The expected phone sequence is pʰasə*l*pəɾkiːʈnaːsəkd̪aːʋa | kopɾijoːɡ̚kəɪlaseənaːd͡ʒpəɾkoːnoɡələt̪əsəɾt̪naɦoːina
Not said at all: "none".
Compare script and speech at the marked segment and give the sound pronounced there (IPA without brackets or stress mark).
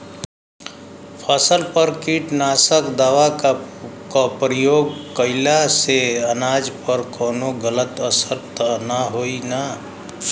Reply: l